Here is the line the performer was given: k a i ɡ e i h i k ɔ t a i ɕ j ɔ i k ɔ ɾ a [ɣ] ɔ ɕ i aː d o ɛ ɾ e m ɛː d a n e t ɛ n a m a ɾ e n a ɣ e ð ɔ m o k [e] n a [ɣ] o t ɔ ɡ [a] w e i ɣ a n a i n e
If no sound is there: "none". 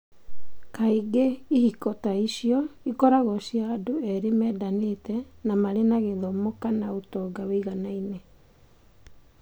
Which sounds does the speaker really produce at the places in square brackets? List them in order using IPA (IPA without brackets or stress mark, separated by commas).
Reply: ɣ, a, none, a